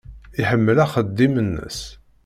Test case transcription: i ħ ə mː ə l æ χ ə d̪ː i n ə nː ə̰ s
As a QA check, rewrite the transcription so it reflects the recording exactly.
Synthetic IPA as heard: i ħ ə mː ə l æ χ ə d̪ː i m ə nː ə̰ s